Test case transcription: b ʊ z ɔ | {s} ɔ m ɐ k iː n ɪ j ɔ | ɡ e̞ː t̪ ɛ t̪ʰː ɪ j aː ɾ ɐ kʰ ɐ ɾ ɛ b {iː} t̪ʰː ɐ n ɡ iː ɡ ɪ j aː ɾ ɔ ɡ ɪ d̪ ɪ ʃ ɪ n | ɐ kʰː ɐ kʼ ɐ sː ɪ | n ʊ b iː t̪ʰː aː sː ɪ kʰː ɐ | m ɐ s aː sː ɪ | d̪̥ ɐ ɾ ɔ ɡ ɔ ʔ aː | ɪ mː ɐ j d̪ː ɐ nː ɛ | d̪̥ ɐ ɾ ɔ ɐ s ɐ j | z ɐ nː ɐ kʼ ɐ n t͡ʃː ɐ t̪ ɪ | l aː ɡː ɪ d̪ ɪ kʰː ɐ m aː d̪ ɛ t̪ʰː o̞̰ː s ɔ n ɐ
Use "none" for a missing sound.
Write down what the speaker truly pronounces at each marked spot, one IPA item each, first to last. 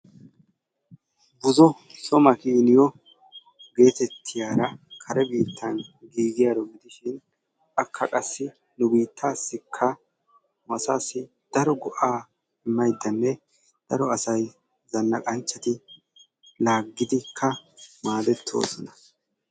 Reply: s, iː

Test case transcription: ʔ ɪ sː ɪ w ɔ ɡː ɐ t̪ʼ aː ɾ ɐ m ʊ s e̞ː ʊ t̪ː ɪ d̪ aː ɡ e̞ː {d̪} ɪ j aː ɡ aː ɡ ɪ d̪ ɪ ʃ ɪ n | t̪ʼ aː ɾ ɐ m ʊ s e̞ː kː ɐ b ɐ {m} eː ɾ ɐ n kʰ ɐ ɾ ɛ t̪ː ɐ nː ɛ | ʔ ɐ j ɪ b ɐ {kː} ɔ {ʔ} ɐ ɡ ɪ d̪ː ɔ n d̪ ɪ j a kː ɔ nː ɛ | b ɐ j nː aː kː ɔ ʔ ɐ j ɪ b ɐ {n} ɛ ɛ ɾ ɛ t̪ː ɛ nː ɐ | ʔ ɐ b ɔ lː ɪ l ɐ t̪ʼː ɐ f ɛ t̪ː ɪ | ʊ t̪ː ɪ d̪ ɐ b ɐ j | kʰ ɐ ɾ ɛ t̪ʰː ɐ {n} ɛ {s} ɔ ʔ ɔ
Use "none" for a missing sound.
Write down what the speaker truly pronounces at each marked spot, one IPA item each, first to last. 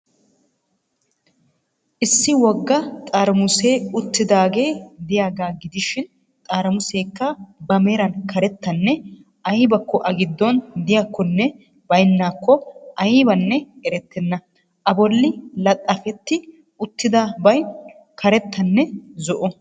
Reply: d̪, m, kː, ʔ, nː, nː, z

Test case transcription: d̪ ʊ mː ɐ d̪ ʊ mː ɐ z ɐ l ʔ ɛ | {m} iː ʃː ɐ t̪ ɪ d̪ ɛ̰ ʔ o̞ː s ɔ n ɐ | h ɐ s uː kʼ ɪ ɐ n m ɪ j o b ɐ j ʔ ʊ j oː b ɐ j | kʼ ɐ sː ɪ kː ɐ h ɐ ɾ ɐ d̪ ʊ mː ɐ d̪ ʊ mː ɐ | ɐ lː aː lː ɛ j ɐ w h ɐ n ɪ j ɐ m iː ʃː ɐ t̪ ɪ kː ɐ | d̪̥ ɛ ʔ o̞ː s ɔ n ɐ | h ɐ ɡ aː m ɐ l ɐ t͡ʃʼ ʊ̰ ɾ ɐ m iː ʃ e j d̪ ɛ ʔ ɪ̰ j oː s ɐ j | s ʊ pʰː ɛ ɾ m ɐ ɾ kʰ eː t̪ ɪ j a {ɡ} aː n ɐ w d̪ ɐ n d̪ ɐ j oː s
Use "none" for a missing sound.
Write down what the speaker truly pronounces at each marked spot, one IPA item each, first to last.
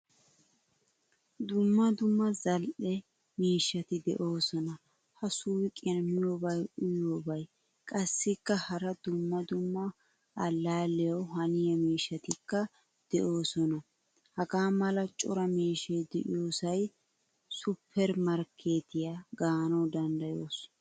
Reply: m, ɡ

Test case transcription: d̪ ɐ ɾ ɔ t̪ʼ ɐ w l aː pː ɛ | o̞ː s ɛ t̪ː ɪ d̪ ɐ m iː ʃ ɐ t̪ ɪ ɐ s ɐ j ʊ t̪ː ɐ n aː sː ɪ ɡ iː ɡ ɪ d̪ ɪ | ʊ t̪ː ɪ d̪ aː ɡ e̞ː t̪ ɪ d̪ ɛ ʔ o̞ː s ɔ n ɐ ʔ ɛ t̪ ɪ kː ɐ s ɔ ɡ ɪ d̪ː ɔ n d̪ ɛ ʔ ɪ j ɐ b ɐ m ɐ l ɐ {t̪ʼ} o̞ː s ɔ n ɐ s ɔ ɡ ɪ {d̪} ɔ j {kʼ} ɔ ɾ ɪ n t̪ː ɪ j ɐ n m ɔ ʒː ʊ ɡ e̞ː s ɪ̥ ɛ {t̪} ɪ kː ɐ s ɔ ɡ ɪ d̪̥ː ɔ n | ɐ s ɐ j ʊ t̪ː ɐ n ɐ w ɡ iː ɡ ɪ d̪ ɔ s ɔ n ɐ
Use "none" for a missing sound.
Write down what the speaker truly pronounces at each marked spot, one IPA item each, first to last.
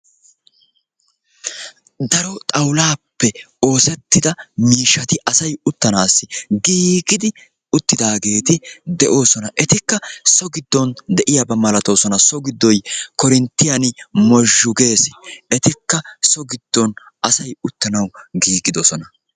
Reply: t̪, d̪ː, k, t̪

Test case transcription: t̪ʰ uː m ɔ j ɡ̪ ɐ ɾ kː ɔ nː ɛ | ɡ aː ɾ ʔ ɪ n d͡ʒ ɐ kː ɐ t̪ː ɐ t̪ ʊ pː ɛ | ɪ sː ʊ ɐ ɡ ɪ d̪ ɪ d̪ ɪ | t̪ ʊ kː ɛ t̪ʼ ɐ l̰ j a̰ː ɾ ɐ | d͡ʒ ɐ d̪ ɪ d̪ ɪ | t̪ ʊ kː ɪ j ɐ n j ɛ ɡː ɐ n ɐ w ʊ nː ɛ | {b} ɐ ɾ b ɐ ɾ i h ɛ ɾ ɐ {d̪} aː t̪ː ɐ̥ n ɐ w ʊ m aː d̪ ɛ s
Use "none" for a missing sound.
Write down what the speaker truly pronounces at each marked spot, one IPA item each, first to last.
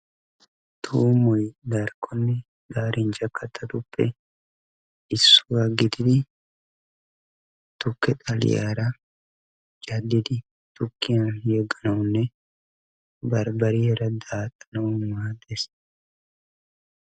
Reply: b, d̪

